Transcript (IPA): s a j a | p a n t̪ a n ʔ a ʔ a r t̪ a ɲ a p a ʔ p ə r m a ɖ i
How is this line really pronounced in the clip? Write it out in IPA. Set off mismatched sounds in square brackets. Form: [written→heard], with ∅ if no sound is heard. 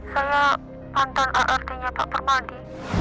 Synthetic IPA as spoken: s a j a | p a n t̪ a n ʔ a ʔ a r t̪ [a→i] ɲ a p a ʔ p ə r m a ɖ i